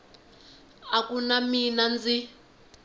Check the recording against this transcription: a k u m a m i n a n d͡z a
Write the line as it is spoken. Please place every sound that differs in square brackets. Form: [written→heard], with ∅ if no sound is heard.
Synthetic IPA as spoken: a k u [m→n] a m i n a n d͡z [a→i]